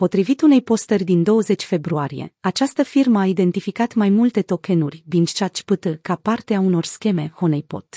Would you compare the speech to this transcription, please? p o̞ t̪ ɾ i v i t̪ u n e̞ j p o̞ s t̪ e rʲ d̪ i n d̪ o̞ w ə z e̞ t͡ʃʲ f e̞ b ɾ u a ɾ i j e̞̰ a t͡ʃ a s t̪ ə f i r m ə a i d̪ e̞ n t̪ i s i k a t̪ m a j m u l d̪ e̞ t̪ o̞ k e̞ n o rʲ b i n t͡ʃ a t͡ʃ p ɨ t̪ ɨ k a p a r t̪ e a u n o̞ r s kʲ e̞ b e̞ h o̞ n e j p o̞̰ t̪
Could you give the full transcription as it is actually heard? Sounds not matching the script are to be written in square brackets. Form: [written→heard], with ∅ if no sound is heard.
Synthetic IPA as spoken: p o̞ t̪ ɾ i v i t̪ u n e̞ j p o̞ s t̪ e rʲ d̪ i n d̪ o̞ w ə z e̞ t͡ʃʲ f e̞ b ɾ u a ɾ i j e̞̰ a t͡ʃ a s t̪ ə f i r m ə a i d̪ e̞ n t̪ i [s→f] i k a t̪ m a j m u l [d̪→t̪] e̞ t̪ o̞ k e̞ n [o→u] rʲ b i n t͡ʃ a t͡ʃ p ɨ t̪ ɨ k a p a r t̪ e a u n o̞ r s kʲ e̞ [b→m] e̞ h o̞ n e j p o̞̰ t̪